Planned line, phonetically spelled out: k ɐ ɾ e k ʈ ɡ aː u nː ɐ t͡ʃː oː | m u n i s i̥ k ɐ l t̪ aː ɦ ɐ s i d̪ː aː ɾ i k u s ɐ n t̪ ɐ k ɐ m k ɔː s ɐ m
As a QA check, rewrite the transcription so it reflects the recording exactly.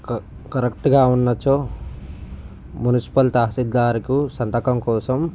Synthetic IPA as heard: k ɐ ɾ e k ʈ ɡ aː u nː ɐ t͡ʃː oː | m u n i s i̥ p ɐ l t̪ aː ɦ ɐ s i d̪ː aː ɾ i k u s ɐ n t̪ ɐ k ɐ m k ɔː s ɐ m